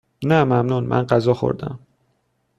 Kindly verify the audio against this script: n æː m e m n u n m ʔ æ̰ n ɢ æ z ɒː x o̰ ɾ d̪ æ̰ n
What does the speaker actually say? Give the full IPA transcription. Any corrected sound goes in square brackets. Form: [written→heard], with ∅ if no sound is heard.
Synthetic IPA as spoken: n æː m [e→æ] m n u n m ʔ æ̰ n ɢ æ z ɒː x o̰ ɾ d̪ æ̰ [n→m]

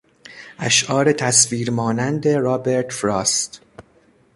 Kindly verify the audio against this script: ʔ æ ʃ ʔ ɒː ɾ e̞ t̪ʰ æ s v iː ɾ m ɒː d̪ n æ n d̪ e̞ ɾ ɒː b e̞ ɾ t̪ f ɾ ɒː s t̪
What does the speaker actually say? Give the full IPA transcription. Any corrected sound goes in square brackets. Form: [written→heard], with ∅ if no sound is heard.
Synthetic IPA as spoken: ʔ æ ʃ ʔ ɒː ɾ e̞ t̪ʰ æ s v iː ɾ m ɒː [d̪→∅] n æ n d̪ e̞ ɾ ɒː b e̞ ɾ t̪ f ɾ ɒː s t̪

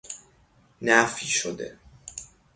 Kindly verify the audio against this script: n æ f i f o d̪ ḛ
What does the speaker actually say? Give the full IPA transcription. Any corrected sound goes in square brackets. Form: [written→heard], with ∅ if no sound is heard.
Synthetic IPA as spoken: n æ f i [f→ʃ] o d̪ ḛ

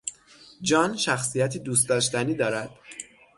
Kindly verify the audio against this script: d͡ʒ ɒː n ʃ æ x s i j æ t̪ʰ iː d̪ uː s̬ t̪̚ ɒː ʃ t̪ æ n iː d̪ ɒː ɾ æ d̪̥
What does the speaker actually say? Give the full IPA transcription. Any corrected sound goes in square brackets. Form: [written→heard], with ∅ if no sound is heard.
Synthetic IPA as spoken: d͡ʒ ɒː n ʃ æ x s i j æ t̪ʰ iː d̪ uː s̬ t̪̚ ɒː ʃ t̪ æ n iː d̪ ɒː ɾ æ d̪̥

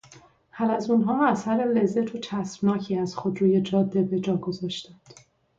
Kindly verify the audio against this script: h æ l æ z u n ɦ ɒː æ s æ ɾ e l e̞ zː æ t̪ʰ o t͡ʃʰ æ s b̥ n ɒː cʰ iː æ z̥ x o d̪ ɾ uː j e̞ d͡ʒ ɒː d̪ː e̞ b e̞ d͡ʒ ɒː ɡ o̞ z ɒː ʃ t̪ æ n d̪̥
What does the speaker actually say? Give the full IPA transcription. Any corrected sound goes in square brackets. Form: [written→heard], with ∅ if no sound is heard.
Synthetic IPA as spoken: h æ l æ z u n ɦ ɒː æ s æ ɾ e l e̞ zː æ t̪ʰ o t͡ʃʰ æ s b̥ n ɒː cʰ iː æ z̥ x o d̪ ɾ uː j e̞ d͡ʒ ɒː d̪ː e̞ b e̞ d͡ʒ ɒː ɡ o̞ z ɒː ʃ t̪ æ n d̪̥

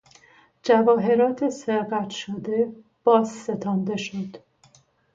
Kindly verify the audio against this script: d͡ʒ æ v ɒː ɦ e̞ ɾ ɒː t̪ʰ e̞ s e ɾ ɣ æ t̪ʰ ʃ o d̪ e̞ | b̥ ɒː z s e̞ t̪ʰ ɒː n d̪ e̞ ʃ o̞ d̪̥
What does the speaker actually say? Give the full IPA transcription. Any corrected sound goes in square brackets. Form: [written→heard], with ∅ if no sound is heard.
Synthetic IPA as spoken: d͡ʒ æ v ɒː ɦ e̞ ɾ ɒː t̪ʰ e̞ s e ɾ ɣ æ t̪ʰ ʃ o d̪ e̞ | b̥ ɒː z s e̞ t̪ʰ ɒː n d̪ e̞ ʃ o̞ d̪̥

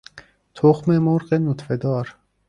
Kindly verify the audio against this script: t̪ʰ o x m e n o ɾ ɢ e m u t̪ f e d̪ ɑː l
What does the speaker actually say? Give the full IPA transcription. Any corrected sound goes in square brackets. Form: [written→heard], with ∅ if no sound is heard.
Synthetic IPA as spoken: t̪ʰ o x m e [n→m] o ɾ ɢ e [m→n] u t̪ f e d̪ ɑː [l→ɾ]

